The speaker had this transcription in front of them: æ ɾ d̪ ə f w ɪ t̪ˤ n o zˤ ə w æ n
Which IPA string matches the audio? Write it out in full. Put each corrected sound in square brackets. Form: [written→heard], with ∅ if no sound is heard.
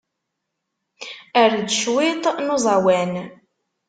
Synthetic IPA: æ ɾ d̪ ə [f→ʃ] w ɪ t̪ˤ n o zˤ [ə→ɑ] w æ n